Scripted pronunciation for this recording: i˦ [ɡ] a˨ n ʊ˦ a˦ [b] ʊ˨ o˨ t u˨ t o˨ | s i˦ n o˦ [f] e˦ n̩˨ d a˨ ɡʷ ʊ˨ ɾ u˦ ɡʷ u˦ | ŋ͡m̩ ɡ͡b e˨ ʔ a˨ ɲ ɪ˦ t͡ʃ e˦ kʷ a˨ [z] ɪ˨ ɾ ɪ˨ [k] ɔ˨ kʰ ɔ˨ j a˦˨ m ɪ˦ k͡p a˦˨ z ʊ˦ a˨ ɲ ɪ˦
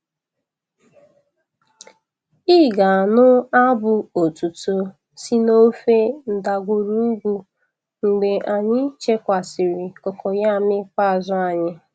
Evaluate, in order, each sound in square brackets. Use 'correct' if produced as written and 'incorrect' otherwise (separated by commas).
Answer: correct, correct, correct, incorrect, correct